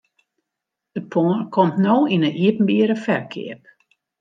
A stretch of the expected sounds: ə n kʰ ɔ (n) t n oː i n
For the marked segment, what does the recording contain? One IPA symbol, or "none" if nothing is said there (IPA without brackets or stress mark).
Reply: m